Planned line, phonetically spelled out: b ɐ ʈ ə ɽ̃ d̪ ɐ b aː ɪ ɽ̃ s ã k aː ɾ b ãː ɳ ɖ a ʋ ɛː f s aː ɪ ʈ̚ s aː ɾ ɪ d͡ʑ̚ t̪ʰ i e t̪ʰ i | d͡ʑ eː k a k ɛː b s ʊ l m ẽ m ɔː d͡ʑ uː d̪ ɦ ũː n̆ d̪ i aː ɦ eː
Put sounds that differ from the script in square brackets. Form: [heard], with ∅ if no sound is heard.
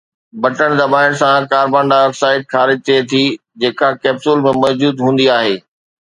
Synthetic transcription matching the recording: b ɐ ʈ ə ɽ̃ d̪ ɐ b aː ɪ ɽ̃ s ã k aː ɾ b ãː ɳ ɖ a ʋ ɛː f s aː ɪ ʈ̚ [x] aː ɾ ɪ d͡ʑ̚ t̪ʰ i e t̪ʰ i | d͡ʑ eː k a k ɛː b s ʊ l m ẽ m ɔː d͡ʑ uː d̪ ɦ ũː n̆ d̪ i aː ɦ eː